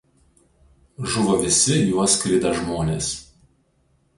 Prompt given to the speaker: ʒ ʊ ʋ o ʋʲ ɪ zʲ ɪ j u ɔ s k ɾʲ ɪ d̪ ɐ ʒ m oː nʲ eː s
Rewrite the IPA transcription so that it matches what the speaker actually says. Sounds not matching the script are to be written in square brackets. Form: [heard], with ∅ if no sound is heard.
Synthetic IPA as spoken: ʒ ʊ ʋ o ʋʲ ɪ [sʲ] ɪ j u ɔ s k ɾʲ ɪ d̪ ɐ ʒ m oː nʲ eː s